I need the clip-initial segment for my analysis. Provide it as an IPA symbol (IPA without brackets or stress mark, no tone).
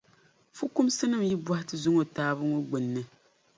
f